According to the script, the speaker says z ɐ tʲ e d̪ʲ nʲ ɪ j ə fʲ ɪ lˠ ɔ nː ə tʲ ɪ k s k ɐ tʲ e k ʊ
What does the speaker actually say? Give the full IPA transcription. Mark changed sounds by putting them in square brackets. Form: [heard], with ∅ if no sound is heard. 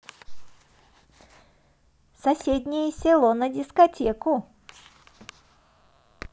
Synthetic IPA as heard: [s] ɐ [sʲ] e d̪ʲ nʲ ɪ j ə [sʲ] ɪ lˠ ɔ [n] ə [dʲ] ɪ [∅] s k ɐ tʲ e k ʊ